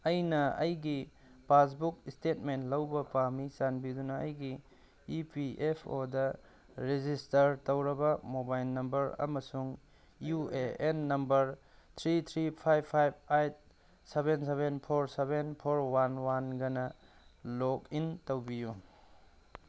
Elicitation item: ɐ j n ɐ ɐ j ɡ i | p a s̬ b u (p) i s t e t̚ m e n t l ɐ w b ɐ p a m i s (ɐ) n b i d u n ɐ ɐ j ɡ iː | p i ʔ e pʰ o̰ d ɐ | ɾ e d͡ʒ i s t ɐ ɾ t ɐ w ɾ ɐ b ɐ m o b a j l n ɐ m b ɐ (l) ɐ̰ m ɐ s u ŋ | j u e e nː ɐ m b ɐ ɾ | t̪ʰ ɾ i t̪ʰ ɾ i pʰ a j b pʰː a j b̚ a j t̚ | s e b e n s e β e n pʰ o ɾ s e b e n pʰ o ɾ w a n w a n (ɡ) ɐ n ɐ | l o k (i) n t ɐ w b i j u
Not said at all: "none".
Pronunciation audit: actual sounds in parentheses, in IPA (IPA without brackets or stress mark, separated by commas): k, a, ɾ, ɡ, i